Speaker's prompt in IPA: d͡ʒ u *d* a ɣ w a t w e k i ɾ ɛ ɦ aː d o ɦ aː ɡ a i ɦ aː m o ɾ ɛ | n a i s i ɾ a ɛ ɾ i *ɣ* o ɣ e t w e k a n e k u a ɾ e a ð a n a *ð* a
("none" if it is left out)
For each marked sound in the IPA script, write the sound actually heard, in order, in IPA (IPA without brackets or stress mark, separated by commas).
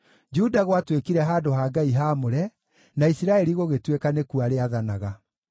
d, ɣ, ɣ